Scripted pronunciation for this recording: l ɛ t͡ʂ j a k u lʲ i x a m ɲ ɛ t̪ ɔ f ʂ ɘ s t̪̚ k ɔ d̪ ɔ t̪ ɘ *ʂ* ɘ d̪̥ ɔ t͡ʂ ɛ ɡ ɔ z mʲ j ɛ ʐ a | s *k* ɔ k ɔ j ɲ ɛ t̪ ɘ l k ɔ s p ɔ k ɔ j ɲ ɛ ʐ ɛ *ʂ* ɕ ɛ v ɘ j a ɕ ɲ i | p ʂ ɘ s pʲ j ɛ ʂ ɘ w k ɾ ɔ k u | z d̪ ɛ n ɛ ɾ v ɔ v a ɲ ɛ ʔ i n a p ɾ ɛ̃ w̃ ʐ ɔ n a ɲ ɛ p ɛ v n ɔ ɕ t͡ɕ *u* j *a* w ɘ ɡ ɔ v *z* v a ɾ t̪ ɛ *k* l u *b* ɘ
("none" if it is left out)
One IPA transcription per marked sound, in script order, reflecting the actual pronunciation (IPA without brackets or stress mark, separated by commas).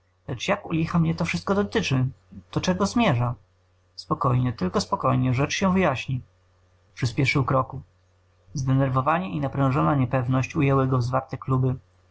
t͡ʂ, p, t͡ʂ, u, ɛ, z, k, b